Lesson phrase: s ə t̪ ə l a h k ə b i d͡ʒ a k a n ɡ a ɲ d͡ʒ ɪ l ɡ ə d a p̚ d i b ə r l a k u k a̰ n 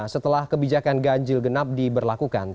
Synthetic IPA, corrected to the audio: s ə t̪ ə l a h k ə b i d͡ʒ a k a n ɡ a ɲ d͡ʒ ɪ l ɡ ə n a p̚ d i b ə r l a k u k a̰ n